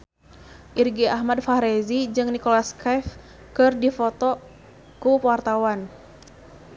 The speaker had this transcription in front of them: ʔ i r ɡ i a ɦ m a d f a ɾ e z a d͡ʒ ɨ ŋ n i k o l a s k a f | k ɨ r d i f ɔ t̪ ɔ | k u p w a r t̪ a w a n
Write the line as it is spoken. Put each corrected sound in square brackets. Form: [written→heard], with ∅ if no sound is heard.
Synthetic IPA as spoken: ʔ i r ɡ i a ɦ m a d f a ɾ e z [a→i] d͡ʒ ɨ ŋ n i k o l a s k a f | k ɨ r d i f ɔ t̪ ɔ | k u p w a r t̪ a w a n